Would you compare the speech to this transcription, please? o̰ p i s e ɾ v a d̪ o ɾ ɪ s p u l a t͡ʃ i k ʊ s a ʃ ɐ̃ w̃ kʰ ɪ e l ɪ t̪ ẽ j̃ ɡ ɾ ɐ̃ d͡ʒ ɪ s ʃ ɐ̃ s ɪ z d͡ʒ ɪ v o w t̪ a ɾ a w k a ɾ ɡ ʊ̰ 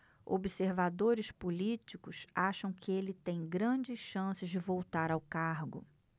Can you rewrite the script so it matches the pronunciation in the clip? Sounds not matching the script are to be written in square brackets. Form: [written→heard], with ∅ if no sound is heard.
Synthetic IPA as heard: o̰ [p→b] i s e ɾ v a d̪ o ɾ ɪ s p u l [a→i] t͡ʃ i k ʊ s a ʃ ɐ̃ w̃ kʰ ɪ e l ɪ t̪ ẽ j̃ ɡ ɾ ɐ̃ d͡ʒ ɪ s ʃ ɐ̃ s ɪ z d͡ʒ ɪ v o w t̪ a ɾ a w k a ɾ ɡ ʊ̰

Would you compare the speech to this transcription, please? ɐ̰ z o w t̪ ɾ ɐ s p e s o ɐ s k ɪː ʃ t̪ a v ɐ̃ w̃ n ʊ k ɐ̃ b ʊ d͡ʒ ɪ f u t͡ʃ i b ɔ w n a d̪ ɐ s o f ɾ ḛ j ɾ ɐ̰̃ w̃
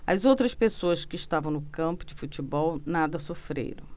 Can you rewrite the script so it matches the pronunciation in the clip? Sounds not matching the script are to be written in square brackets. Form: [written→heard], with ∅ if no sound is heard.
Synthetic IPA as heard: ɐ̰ z o w t̪ ɾ ɐ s p e s o ɐ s k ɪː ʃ t̪ a v ɐ̃ w̃ n ʊ k ɐ̃ [b→p] ʊ d͡ʒ ɪ f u t͡ʃ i b ɔ w n a d̪ ɐ s o f ɾ ḛ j ɾ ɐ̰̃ w̃

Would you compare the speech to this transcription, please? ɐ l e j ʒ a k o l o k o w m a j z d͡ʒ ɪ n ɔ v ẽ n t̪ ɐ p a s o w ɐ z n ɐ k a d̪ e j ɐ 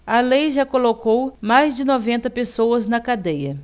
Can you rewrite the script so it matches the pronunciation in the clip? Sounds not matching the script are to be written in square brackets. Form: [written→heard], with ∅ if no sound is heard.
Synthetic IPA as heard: ɐ l e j ʒ a k o l o k o w m a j z d͡ʒ ɪ n ɔ v ẽ n t̪ ɐ p [a→e] s o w ɐ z n ɐ k a d̪ e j ɐ

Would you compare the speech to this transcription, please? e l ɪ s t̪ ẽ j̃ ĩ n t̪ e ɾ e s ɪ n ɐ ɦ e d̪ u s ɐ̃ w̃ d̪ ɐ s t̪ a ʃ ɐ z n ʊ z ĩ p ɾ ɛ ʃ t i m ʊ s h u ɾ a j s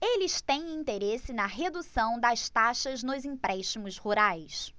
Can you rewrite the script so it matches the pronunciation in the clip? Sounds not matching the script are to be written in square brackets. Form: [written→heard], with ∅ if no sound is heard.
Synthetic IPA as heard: e l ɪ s t̪ ẽ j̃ ĩ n t̪ e ɾ e s ɪ n ɐ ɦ e d̪ u s ɐ̃ w̃ d̪ ɐ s t̪ a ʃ ɐ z n ʊ z ĩ p ɾ ɛ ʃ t i m ʊ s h u ɾ a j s

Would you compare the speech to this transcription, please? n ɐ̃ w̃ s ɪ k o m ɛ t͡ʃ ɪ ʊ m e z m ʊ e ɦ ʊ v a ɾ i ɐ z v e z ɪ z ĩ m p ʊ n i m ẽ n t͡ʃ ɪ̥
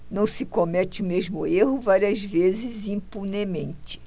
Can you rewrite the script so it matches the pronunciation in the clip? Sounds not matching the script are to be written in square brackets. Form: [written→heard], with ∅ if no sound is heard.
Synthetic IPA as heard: n ɐ̃ w̃ s ɪ k o m ɛ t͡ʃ ɪ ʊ m e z m ʊ e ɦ ʊ v a ɾ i ɐ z v e z ɪ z ĩ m p [ʊ→u] n [i→e] m ẽ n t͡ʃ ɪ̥

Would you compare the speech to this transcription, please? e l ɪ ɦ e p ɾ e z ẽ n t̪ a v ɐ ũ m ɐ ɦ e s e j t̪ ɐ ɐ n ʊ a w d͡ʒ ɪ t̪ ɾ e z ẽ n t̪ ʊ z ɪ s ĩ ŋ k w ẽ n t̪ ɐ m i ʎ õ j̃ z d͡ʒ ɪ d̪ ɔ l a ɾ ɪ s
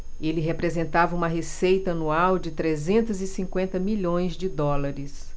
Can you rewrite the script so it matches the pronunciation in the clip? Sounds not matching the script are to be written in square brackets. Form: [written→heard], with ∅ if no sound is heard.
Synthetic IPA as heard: e l ɪ ɦ e p ɾ e z ẽ n t̪ a v ɐ ũ m ɐ ɦ e s e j t̪ ɐ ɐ n [ʊ→u] a w d͡ʒ ɪ t̪ ɾ e z ẽ n t̪ ʊ z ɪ s ĩ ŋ k w ẽ n t̪ ɐ m i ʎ õ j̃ z d͡ʒ ɪ d̪ ɔ l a ɾ ɪ s

